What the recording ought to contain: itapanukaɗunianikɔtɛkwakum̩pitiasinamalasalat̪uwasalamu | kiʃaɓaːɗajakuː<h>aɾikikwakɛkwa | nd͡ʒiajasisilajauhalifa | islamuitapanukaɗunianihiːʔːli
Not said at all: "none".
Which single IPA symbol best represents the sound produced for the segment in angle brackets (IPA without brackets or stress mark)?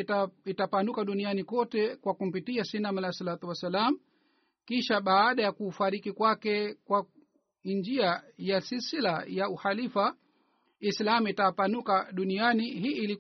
f